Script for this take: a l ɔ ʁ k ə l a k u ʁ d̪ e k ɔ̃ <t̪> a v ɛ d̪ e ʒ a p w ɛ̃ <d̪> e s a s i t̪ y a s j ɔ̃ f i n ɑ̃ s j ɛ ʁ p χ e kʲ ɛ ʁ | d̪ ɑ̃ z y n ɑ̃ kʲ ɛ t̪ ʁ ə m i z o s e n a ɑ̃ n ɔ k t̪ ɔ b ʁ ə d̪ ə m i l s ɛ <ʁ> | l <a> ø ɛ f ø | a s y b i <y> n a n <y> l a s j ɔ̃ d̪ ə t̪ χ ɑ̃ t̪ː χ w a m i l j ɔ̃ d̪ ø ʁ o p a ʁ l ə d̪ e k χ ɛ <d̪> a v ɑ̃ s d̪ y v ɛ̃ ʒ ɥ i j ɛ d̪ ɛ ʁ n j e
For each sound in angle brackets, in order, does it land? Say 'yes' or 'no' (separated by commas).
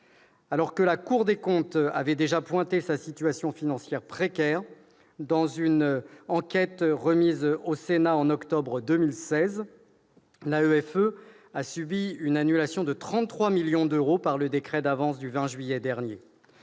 yes, no, no, yes, yes, yes, yes